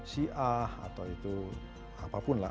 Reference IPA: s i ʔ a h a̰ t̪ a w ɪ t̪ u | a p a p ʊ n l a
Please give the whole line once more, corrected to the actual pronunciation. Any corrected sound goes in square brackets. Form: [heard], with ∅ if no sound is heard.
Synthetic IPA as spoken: s i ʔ a h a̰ t̪ a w [i] t̪ u | a p a p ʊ n l a